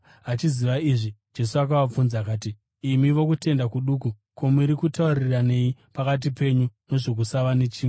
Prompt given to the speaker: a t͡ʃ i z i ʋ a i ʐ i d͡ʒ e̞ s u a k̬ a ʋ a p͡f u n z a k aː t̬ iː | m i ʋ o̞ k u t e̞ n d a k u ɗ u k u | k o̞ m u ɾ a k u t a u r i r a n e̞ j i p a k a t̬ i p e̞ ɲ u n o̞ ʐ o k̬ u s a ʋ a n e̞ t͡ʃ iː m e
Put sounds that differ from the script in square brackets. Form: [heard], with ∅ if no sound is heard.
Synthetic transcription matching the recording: a t͡ʃ i z i ʋ a i ʐ i d͡ʒ e̞ s u a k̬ a ʋ a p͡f u n z a k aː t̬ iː | m i ʋ o̞ k u t e̞ n d a k u ɗ u k u | k o̞ m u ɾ [i] k u t a u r i r a n e̞ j i p a k a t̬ i p e̞ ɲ u n o̞ ʐ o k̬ u s a ʋ a n e̞ t͡ʃ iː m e